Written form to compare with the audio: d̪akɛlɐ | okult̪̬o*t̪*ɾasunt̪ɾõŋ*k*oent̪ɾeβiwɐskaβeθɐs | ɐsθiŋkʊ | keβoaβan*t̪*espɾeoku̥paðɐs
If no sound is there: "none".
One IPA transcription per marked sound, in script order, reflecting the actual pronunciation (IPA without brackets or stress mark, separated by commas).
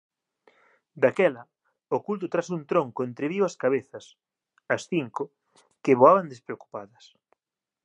t̪, k, d̪